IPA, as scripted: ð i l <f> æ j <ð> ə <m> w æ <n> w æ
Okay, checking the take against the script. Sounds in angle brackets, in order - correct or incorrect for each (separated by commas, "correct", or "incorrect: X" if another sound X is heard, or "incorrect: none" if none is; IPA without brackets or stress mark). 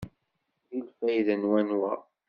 correct, correct, incorrect: n, correct